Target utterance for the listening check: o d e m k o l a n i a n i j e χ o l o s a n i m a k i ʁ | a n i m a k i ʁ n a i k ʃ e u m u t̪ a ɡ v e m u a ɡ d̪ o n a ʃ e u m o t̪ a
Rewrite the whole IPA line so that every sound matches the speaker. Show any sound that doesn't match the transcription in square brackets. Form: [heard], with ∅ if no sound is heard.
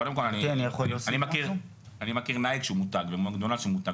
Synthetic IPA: o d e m k o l a n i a n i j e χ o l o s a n i m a k i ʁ | a n i m a k i ʁ n a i k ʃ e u m u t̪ a ɡ v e m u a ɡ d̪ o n a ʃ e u m [u] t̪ a